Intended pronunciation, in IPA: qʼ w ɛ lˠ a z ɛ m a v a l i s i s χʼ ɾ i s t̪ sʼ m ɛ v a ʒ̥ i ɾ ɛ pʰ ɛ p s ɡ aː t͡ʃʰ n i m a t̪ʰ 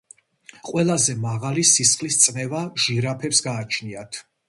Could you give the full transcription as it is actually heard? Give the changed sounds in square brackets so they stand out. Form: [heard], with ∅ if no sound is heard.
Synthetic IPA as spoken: qʼ w ɛ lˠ a z ɛ m a [ʁ] a l i s i s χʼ [l] i s t̪ sʼ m ɛ v a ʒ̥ i ɾ [a] pʰ ɛ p s ɡ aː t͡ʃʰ n i [∅] a t̪ʰ